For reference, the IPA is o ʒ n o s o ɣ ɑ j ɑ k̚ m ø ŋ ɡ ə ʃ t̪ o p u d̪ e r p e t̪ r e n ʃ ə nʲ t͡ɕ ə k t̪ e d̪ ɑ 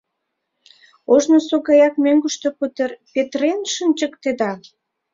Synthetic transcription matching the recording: o ʒ n o s o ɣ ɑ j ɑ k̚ m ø ŋ ɡ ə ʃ t̪ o p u t̪ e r p e t̪ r e n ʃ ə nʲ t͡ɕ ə k t̪ e d̪ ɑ